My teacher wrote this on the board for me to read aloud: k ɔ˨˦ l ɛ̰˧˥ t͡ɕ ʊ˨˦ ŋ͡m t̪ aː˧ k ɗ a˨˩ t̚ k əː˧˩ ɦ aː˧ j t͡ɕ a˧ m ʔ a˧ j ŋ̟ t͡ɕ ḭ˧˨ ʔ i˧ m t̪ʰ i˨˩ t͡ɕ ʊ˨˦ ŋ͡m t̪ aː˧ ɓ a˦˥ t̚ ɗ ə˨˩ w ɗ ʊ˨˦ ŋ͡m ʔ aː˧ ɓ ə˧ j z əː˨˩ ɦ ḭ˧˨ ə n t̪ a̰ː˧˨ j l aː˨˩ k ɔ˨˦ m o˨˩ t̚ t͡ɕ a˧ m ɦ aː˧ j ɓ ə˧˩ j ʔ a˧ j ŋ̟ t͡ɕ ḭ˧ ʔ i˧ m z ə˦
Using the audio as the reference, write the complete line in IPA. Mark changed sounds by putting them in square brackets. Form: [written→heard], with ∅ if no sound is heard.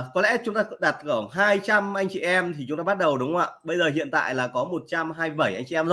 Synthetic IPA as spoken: k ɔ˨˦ l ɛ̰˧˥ t͡ɕ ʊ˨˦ ŋ͡m t̪ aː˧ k ɗ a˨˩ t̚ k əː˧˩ ɦ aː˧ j t͡ɕ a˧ m ʔ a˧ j ŋ̟ t͡ɕ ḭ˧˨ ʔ [i˧→ɛ˧] m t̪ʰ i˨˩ t͡ɕ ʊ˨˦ ŋ͡m t̪ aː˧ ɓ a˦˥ t̚ ɗ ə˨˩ w ɗ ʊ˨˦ ŋ͡m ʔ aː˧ ɓ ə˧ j z əː˨˩ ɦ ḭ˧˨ ə n t̪ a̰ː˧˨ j l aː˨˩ k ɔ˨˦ m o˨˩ t̚ t͡ɕ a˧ m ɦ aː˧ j ɓ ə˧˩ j ʔ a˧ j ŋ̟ t͡ɕ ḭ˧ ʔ [i˧→ɛ˧] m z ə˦